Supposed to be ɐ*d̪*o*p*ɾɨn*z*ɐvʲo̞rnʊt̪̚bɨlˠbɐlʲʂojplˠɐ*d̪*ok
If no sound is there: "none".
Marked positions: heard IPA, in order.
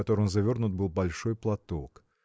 t̪, none, z, t̪

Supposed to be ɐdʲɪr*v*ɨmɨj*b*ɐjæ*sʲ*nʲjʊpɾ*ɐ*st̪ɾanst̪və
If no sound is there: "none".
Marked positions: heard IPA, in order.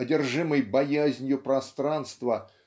ʐ, b, zʲ, ɐ

